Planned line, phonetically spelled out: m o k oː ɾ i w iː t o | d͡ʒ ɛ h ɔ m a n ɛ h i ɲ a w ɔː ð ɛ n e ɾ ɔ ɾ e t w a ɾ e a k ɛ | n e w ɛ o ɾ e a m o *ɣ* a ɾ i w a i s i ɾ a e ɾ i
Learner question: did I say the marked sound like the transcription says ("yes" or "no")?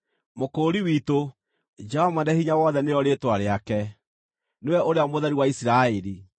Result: no